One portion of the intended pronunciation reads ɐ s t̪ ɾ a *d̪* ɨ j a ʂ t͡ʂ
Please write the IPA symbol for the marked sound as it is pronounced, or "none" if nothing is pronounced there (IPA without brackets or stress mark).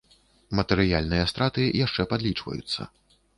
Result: t̪